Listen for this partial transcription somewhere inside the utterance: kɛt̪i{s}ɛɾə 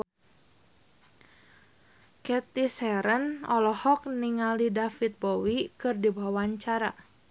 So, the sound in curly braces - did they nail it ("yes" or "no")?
yes